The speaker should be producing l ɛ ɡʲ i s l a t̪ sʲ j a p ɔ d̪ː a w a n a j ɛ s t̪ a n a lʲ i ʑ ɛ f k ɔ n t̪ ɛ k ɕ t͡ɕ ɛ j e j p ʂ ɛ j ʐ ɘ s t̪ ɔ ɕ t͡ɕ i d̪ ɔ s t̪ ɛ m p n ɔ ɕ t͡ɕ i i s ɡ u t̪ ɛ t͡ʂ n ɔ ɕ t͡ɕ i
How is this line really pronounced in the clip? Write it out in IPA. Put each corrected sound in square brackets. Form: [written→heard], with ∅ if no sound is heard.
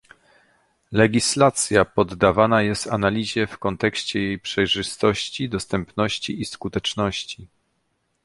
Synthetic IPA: l ɛ ɡʲ i s l a t̪ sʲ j a p ɔ d̪ː a [w→v] a n a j ɛ s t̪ a n a lʲ i ʑ ɛ f k ɔ n t̪ ɛ k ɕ t͡ɕ ɛ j e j p ʂ ɛ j ʐ ɘ s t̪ ɔ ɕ t͡ɕ i d̪ ɔ s t̪ ɛ m p n ɔ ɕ t͡ɕ i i s [ɡ→k] u t̪ ɛ t͡ʂ n ɔ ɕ t͡ɕ i